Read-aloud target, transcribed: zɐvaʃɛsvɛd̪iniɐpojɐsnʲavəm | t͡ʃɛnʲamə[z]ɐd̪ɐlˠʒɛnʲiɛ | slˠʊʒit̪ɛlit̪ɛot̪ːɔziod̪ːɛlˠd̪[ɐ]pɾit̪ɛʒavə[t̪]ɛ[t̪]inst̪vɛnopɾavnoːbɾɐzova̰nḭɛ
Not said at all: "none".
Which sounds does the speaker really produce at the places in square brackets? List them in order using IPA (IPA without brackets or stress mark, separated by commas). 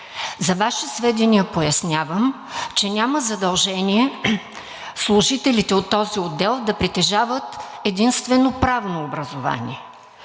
z, ɐ, t̪, d̪